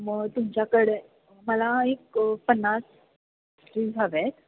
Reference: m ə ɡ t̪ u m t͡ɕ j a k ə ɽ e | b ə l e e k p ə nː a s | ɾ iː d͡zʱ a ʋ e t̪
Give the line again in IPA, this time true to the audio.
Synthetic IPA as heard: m ə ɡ t̪ u m t͡ɕ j a k ə ɽ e | m ə l a e k p ə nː a s | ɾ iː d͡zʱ a ʋ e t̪